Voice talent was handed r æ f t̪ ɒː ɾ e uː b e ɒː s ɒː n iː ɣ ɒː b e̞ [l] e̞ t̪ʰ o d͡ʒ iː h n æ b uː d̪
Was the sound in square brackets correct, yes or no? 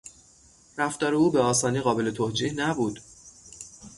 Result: yes